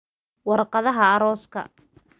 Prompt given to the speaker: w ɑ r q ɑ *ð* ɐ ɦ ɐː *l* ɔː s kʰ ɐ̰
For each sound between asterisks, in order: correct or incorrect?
correct, incorrect

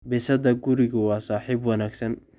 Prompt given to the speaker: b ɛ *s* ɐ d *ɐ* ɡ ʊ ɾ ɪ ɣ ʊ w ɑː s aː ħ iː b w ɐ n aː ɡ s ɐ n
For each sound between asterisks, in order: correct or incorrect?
correct, correct

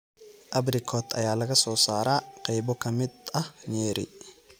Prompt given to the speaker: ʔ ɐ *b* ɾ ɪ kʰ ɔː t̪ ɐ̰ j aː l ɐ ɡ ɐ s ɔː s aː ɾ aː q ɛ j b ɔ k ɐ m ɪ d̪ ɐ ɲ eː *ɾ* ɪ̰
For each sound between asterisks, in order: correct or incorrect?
correct, correct

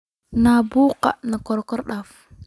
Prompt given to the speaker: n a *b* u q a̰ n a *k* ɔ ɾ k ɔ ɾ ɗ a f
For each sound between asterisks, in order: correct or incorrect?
correct, correct

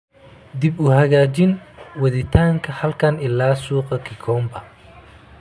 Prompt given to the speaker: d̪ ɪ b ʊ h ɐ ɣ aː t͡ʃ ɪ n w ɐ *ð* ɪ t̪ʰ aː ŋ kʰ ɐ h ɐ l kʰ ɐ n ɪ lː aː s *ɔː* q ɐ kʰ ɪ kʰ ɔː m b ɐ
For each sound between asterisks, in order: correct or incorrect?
correct, incorrect

